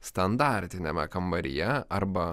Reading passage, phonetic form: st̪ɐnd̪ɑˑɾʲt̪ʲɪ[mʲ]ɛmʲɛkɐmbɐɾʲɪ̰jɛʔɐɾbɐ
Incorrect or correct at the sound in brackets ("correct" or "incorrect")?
incorrect